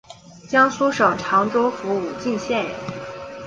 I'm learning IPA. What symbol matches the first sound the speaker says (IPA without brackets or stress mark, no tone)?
t͡ɕ